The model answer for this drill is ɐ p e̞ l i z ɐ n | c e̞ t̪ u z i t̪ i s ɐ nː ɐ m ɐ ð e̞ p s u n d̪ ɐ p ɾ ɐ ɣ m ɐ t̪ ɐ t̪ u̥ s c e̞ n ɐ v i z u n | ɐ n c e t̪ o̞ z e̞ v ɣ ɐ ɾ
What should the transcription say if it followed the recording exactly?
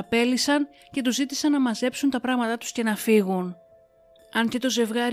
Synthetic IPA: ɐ p e̞ l i s ɐ n | c e̞ t̪ u z i t̪ i s ɐ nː ɐ m ɐ z e̞ p s u n t̪ ɐ p ɾ ɐ ɣ m ɐ t̪ ɐ t̪ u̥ s c e̞ n ɐ f i ɣ u n | ɐ n c e t̪ o̞ z e̞ v ɣ ɐ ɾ